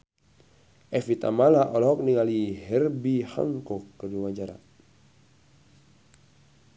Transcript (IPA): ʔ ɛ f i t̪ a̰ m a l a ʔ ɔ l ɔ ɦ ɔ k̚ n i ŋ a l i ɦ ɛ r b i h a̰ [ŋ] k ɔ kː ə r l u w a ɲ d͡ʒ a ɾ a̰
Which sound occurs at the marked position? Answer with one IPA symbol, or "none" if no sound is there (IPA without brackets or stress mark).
ŋ